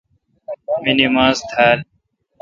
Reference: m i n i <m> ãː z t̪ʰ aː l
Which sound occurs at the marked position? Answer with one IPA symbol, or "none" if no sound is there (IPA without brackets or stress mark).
m